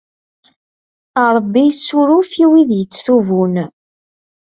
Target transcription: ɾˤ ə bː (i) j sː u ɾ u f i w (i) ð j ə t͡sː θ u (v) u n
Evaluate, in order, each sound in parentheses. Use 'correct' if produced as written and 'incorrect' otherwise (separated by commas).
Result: correct, correct, correct